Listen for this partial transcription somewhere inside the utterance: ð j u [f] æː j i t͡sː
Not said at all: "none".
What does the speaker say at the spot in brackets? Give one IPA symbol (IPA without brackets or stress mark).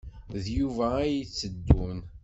v